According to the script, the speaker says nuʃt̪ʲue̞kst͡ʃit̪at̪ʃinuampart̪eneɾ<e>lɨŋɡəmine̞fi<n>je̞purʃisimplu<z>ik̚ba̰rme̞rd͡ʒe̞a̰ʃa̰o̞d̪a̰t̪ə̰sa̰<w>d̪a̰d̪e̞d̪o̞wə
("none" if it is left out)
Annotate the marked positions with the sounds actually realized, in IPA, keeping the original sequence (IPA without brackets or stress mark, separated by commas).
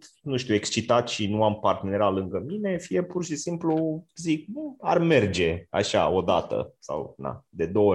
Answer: a, none, z, w